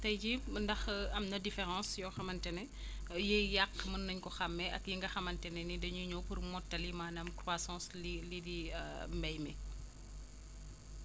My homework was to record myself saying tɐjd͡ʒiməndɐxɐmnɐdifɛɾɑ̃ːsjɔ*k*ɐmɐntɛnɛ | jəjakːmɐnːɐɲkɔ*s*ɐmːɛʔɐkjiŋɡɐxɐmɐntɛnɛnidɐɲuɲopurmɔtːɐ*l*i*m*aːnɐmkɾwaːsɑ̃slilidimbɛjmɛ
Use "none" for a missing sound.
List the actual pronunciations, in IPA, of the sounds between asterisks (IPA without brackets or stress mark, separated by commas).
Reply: x, x, l, m